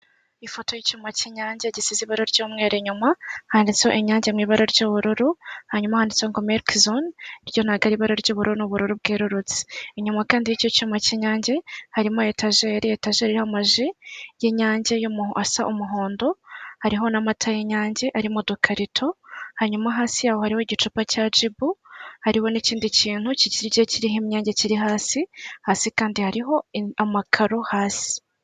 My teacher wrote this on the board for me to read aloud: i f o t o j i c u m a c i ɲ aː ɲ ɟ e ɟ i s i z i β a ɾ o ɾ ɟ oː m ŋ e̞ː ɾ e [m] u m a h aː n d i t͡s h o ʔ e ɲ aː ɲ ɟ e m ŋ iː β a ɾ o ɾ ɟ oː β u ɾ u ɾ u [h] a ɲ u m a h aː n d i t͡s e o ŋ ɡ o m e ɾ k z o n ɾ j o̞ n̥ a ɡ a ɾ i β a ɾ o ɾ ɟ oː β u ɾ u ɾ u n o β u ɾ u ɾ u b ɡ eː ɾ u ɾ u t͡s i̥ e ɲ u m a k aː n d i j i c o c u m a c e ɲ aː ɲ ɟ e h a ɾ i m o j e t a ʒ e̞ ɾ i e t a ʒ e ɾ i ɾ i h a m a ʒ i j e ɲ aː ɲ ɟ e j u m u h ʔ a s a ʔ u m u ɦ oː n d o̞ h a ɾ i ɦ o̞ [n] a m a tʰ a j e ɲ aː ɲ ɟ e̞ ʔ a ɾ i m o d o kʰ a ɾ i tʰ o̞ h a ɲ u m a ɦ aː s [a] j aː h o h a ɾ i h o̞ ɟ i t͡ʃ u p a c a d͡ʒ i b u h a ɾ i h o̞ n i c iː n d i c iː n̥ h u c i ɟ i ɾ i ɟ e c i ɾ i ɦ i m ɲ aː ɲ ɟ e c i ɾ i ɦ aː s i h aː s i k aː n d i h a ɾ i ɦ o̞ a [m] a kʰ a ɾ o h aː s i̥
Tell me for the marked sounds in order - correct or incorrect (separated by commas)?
incorrect, correct, correct, incorrect, correct